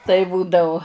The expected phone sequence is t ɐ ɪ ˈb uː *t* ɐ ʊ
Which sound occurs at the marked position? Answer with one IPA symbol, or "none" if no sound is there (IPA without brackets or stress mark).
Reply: d